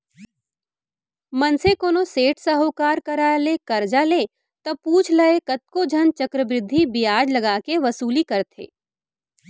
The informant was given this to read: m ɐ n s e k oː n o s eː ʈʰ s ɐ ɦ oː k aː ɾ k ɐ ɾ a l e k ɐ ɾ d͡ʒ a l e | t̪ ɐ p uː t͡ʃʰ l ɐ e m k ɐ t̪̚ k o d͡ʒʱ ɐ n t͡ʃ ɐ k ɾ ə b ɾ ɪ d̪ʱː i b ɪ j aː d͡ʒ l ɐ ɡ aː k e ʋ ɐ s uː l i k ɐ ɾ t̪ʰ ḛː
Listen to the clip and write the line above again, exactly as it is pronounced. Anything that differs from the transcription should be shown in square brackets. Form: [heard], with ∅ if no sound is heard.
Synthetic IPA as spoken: m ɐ n s e k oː n o s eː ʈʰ s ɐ ɦ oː k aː ɾ k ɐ ɾ a l e k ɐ ɾ d͡ʒ a l e | t̪ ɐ p uː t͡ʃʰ l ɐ e [∅] k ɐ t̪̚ k o d͡ʒʱ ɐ n t͡ʃ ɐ k ɾ ə b ɾ ɪ d̪ʱː i b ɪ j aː d͡ʒ l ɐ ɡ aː k e ʋ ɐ s uː l i k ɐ ɾ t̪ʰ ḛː